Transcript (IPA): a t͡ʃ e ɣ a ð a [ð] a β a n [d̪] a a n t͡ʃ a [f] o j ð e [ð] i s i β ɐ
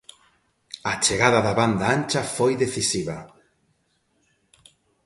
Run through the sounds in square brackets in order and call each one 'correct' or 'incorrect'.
correct, correct, correct, incorrect: θ

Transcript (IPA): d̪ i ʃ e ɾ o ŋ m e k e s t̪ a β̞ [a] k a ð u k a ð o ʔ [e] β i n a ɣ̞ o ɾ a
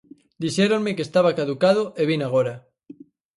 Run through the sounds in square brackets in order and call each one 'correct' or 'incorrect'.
correct, correct

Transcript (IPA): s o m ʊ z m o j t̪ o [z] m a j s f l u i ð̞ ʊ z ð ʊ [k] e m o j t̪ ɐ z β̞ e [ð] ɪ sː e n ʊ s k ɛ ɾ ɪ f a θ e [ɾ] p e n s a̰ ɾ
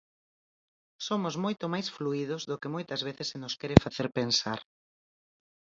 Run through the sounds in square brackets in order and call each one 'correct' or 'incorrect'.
incorrect: none, correct, incorrect: θ, correct

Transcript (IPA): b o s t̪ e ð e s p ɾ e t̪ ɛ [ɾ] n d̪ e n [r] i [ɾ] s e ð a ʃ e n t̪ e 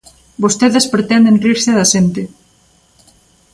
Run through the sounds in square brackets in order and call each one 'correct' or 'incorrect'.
incorrect: none, correct, correct

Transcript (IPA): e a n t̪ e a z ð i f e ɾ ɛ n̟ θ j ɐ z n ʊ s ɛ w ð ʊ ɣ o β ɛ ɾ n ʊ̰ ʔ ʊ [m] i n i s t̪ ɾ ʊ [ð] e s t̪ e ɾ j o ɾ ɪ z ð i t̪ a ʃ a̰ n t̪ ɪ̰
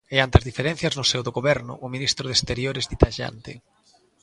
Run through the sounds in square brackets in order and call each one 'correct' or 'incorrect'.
correct, correct

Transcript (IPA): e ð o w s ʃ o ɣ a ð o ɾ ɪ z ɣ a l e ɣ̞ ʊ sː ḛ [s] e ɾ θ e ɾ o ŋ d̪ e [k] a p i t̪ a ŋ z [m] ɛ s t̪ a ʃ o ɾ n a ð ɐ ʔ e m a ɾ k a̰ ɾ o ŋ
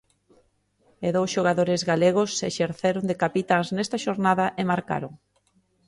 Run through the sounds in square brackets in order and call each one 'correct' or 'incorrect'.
incorrect: ʃ, correct, incorrect: n

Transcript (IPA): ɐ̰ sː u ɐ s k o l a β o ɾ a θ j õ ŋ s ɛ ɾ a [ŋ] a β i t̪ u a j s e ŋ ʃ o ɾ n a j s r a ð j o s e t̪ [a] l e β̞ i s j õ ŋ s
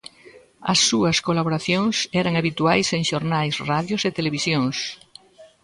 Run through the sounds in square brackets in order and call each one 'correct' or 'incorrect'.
correct, incorrect: e

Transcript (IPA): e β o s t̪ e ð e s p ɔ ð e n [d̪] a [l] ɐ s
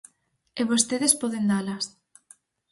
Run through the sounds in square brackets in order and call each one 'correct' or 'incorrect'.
correct, correct

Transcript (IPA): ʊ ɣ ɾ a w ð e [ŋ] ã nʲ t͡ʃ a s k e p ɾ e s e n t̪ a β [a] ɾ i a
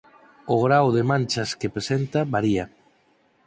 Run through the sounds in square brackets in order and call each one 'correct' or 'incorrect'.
incorrect: m, correct

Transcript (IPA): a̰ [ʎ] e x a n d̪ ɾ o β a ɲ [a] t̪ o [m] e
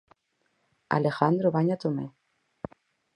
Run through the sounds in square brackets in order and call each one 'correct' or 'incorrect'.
incorrect: l, correct, correct

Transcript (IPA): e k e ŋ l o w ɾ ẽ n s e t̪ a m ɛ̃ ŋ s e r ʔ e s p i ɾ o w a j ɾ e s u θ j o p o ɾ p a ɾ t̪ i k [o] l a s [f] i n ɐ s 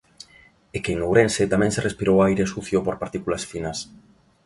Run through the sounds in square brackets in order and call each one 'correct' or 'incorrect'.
incorrect: u, correct

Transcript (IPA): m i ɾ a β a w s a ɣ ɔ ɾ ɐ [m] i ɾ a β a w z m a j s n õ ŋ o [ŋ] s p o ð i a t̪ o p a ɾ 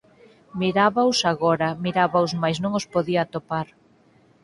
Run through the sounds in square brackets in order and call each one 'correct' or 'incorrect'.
correct, incorrect: none

